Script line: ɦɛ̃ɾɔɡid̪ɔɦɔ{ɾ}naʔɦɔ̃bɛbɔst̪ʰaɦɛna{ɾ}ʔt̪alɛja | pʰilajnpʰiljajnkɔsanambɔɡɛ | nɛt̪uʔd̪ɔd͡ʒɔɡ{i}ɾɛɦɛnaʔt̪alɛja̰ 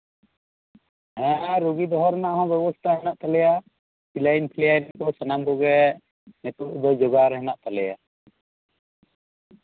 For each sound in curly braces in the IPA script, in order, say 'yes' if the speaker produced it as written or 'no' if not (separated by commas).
yes, no, no